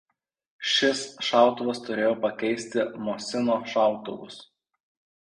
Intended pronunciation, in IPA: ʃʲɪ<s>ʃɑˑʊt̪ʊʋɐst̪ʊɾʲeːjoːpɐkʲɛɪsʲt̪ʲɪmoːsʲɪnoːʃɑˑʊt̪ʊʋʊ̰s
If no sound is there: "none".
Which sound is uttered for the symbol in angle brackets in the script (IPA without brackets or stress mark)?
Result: s